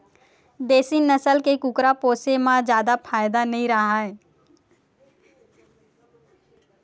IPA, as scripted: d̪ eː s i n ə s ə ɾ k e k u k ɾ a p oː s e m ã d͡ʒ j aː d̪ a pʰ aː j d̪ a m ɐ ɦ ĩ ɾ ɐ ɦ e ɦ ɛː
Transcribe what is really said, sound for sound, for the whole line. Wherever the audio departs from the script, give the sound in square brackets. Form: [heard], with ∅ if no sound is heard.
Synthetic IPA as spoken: d̪ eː s i n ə s ə [l] k e k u k ɾ a p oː s e m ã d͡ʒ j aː d̪ a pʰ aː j d̪ a [n] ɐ ɦ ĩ ɾ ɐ ɦ [a] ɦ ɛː